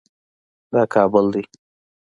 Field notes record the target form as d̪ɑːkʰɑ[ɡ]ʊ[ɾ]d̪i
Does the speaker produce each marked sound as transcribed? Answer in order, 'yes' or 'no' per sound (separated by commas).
no, no